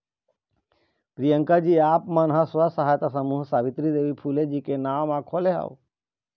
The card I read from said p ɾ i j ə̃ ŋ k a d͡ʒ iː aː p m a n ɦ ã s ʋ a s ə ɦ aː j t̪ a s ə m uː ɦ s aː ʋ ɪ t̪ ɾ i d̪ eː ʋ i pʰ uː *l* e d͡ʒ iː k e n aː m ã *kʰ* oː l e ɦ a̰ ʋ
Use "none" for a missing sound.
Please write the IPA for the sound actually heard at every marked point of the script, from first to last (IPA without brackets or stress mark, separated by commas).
l, kʰ